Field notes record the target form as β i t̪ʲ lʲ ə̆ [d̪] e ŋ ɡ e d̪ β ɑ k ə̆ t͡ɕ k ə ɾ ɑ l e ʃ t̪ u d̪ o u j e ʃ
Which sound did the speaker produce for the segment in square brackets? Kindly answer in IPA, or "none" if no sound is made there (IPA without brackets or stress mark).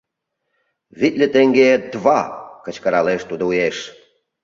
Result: t̪